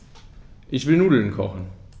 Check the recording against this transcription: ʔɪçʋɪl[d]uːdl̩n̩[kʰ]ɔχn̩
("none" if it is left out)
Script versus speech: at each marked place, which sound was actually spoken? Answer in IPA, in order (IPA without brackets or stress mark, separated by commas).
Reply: n, kʰ